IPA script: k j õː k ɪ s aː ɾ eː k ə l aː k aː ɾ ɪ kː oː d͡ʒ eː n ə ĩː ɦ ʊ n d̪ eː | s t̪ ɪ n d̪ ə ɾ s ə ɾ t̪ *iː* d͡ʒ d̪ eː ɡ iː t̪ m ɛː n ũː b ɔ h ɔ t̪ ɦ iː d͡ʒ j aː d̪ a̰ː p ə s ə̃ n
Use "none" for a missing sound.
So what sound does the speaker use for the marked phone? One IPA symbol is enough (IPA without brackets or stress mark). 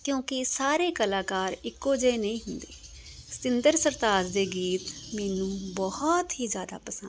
aː